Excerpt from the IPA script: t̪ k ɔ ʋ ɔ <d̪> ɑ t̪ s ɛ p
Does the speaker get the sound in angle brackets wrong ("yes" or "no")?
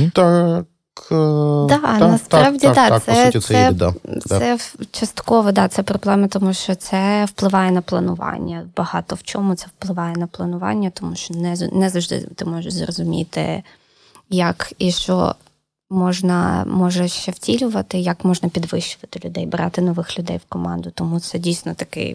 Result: no